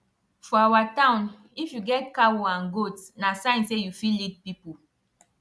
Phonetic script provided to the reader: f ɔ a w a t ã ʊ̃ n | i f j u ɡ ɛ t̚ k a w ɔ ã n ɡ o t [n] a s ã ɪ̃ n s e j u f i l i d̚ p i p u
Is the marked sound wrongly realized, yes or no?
no